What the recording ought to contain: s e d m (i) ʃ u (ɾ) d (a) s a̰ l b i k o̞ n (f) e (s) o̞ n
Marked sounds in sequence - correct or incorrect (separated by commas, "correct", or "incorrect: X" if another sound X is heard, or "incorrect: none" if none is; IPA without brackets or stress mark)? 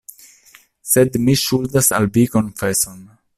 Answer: correct, incorrect: l, correct, correct, correct